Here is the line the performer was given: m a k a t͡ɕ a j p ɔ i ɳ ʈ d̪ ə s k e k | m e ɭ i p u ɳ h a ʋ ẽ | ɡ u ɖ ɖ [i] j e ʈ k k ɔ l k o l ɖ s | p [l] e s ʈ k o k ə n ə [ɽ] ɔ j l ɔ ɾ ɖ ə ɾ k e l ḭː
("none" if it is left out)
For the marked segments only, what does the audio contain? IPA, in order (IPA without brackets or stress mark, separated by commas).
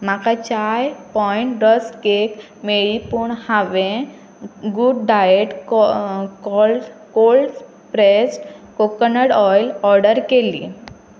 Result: a, ɾ, ɽ